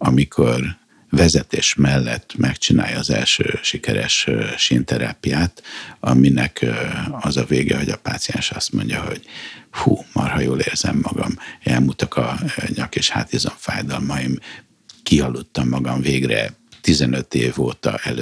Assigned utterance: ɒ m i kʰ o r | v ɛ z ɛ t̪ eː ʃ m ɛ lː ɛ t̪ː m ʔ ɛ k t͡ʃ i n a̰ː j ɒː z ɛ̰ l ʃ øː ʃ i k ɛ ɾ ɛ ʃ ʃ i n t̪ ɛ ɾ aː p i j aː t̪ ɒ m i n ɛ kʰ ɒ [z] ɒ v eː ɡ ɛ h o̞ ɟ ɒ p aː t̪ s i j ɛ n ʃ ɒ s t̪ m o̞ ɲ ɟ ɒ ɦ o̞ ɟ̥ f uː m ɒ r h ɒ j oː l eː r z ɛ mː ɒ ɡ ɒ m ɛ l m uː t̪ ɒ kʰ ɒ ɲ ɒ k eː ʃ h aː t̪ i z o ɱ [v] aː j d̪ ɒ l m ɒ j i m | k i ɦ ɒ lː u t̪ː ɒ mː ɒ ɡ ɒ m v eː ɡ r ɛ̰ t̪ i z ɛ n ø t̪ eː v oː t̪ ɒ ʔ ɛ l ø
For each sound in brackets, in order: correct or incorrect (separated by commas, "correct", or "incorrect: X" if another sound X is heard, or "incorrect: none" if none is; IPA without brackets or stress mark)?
correct, incorrect: f